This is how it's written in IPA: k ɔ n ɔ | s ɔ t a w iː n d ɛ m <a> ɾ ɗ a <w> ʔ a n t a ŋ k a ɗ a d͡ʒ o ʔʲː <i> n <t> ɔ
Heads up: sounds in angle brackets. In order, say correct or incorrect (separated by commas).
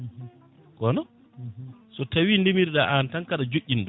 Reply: incorrect, incorrect, correct, incorrect